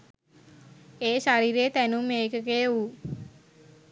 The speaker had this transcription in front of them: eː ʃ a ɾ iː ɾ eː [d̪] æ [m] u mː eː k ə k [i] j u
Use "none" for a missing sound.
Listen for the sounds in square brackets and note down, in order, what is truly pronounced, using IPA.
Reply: t̪, n, e

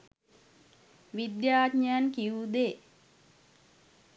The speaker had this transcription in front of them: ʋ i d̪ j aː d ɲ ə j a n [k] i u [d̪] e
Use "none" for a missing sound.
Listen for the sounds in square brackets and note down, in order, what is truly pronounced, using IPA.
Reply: k, d̪

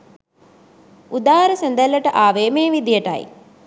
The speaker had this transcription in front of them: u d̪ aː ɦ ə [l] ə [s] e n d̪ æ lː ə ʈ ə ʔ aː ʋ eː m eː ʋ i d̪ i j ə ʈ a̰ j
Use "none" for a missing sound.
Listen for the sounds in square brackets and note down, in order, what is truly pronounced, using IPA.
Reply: ɾ, s

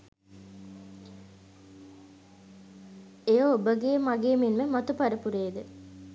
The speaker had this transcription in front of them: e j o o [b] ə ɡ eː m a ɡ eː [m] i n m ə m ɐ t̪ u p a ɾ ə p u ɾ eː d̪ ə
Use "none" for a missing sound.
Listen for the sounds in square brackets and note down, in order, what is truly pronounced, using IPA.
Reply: b, m

